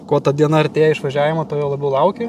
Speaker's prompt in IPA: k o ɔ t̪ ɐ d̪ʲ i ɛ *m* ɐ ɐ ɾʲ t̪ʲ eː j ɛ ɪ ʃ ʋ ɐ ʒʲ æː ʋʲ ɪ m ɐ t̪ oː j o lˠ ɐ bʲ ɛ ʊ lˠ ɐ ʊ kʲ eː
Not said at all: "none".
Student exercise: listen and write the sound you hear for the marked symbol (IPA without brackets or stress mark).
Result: n